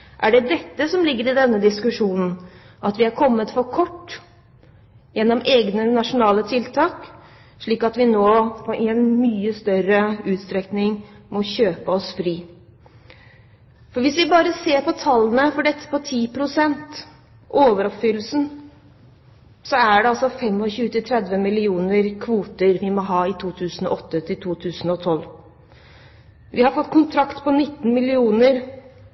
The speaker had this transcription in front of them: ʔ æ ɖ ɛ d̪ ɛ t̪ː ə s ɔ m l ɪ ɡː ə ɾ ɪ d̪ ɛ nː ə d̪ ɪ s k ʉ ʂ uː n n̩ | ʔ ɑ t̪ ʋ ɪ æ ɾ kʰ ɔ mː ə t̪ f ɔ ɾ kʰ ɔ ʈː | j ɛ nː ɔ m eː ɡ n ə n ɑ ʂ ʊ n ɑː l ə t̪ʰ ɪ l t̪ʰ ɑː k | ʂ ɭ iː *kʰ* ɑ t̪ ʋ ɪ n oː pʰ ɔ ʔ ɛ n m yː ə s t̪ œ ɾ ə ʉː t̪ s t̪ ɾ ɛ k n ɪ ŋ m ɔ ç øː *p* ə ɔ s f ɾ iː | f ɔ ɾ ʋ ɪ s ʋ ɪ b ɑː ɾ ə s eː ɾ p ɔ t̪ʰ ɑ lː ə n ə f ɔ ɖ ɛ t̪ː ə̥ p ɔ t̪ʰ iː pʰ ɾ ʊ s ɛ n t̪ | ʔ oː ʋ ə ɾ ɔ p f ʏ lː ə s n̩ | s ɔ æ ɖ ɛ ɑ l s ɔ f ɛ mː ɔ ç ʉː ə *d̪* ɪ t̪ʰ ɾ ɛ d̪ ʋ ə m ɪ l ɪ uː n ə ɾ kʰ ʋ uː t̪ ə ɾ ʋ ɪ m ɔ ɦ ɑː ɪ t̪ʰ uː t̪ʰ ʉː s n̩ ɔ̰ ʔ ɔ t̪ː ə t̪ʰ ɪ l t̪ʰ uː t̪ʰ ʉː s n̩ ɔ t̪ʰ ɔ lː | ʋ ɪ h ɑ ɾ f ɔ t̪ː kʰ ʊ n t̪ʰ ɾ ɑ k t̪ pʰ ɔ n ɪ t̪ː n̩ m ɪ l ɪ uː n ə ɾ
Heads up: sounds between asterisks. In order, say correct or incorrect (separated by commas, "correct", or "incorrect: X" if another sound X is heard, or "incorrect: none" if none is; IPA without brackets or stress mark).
incorrect: k, correct, incorrect: t̪